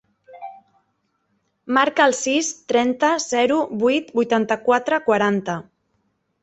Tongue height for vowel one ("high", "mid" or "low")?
low